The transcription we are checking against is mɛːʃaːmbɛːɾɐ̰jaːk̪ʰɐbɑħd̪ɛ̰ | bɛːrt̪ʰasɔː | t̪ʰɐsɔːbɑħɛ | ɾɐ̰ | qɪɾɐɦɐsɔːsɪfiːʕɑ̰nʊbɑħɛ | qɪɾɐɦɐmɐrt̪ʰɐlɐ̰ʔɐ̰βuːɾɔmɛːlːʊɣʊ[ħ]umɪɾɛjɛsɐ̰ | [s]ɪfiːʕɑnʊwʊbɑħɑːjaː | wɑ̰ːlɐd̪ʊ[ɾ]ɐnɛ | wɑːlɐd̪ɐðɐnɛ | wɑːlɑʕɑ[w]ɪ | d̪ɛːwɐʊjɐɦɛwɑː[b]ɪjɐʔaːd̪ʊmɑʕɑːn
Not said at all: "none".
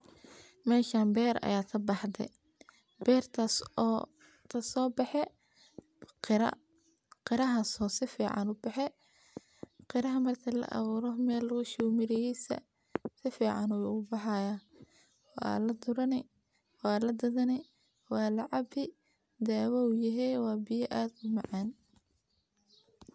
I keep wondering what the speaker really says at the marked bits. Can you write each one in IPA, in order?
ʃ, s, ɾ, b, b

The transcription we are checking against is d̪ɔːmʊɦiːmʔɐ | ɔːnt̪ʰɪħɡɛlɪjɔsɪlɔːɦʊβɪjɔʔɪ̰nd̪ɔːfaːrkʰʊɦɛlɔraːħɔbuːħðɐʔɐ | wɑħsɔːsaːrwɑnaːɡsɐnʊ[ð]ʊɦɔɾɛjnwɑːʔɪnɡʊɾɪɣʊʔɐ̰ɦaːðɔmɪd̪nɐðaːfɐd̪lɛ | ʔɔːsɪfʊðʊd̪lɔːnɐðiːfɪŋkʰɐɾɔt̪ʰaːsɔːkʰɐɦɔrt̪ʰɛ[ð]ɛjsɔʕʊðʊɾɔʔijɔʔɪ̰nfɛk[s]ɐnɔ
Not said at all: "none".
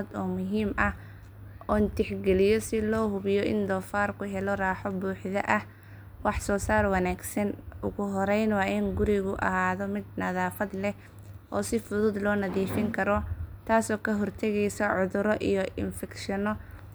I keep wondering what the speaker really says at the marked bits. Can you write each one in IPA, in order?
ɣ, ɣ, ʃ

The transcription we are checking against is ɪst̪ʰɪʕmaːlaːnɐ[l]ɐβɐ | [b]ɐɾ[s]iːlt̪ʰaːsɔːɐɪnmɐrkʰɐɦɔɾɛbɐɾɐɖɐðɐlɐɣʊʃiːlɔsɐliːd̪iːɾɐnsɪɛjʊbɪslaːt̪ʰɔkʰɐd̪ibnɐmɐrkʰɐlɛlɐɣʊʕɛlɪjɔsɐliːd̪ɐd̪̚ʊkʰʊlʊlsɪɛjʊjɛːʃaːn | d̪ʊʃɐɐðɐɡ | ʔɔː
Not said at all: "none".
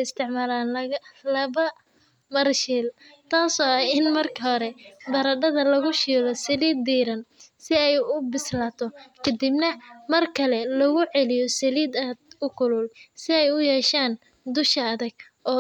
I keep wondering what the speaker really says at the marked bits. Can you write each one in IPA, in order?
l, m, ʃ

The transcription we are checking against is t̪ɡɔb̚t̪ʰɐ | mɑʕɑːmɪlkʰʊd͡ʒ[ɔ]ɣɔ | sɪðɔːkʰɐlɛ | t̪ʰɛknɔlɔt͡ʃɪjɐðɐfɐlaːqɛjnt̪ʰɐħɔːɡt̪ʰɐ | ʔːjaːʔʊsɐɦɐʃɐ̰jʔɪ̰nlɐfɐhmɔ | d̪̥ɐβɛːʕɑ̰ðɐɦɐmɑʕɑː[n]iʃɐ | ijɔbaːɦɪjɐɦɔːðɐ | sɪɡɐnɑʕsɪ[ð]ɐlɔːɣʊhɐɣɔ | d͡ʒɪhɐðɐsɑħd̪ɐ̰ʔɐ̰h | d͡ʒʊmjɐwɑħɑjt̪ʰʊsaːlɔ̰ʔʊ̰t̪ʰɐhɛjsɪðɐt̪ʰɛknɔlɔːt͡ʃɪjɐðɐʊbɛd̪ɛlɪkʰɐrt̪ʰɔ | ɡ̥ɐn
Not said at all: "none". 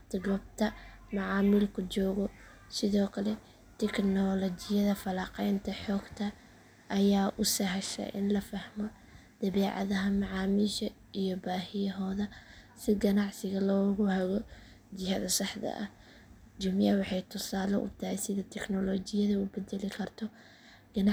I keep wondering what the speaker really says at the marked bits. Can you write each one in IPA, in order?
ɔː, m, ɣ

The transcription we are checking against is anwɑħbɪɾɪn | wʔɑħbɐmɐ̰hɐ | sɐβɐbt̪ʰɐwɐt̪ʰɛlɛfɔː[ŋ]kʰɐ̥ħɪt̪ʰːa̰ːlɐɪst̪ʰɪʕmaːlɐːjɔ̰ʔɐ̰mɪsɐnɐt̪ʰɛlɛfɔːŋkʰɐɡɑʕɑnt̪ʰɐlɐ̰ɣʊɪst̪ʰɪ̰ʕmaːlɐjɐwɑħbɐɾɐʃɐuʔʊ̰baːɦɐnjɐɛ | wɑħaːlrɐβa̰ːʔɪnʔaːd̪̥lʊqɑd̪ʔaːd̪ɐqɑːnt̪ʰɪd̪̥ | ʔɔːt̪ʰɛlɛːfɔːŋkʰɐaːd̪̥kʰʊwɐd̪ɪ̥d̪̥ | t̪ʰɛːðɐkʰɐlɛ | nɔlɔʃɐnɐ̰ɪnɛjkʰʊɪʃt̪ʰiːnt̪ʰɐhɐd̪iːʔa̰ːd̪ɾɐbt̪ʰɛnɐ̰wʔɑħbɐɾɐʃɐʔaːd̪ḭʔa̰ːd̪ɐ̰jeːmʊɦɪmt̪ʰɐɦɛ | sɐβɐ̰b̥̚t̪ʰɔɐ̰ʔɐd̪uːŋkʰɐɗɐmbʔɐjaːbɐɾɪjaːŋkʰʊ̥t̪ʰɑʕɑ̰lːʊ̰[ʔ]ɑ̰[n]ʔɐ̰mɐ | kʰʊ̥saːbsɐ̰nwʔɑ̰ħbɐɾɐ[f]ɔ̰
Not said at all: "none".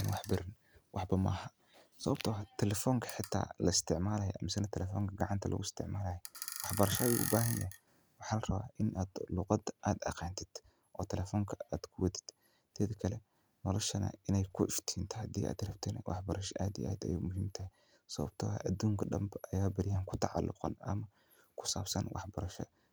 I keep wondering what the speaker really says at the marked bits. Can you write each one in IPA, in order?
ŋ, q, n, ʃ

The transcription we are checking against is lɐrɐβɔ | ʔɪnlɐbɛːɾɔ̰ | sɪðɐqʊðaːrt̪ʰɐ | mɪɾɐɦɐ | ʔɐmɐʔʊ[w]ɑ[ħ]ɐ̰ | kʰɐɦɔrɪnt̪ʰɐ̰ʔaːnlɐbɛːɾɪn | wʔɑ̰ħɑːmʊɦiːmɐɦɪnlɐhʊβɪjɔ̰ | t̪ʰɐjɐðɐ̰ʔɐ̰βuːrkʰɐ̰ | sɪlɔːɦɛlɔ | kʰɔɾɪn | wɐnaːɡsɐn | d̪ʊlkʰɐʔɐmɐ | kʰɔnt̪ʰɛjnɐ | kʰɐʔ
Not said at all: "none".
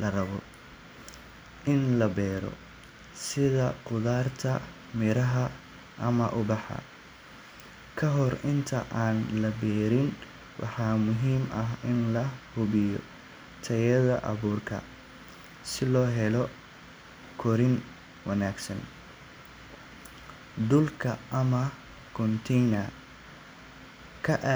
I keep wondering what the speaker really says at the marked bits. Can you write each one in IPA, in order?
b, ħ

